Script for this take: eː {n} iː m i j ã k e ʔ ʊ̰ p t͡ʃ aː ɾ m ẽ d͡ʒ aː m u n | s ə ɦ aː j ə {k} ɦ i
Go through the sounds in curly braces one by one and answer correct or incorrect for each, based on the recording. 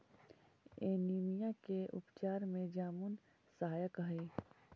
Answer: correct, correct

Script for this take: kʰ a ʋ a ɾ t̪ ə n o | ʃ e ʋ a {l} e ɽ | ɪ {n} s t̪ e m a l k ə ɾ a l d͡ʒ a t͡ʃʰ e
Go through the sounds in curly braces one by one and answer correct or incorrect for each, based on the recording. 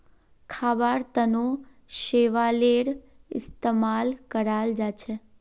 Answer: correct, incorrect

